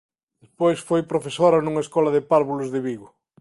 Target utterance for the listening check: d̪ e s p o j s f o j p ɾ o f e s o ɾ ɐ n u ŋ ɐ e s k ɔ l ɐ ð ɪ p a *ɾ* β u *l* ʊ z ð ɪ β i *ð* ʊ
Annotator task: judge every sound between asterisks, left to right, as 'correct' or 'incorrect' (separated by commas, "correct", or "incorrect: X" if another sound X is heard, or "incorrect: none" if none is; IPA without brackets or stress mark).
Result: correct, correct, incorrect: ɣ